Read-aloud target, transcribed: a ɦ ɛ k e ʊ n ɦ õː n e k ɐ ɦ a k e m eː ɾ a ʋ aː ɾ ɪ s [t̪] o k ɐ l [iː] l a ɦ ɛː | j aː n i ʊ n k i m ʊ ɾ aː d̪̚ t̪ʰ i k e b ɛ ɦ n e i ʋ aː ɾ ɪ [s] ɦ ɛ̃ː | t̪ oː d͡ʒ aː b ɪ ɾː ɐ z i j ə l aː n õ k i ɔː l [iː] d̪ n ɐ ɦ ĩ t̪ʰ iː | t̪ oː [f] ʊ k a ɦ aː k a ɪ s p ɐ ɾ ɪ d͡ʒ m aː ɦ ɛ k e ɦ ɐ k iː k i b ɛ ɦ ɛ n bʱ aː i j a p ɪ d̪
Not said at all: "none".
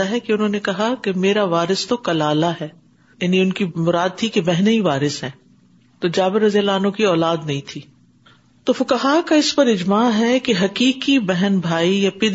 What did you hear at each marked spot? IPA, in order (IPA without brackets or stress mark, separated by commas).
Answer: t̪, aː, s, aː, f